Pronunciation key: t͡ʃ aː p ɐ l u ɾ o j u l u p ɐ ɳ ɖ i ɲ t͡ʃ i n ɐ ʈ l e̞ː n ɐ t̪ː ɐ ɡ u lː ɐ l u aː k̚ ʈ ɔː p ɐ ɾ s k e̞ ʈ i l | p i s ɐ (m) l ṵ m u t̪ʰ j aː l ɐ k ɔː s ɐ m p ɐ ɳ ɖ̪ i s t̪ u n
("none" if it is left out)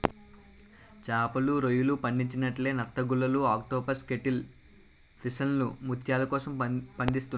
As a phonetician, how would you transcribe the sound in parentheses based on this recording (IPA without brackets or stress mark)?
n